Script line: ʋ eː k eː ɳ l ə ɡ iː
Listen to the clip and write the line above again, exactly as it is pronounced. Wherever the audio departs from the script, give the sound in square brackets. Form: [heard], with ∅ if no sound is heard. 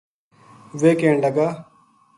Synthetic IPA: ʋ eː k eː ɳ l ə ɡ [aː]